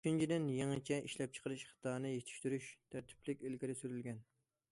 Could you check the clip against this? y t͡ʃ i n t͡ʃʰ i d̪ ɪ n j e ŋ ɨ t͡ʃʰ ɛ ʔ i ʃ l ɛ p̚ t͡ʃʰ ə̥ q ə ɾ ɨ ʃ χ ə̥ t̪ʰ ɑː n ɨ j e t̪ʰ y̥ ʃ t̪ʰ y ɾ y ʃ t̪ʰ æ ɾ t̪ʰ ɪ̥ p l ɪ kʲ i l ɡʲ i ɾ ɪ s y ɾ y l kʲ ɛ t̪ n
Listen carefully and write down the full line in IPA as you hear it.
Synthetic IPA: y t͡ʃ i n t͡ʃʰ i d̪ ɪ n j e ŋ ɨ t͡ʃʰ ɛ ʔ i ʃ l ɛ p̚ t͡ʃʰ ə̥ q ə ɾ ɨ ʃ χ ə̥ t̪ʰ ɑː n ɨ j e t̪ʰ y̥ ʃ t̪ y ɾ y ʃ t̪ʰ æ ɾ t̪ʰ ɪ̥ p l ɪ kʲ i l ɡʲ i ɾ ɪ s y ɾ y l ɡʲ ɛ n